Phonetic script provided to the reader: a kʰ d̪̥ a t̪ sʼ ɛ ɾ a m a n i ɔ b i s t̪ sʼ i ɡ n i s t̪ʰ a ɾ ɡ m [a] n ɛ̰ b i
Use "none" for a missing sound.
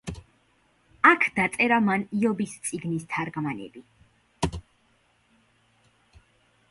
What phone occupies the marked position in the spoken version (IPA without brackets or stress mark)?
a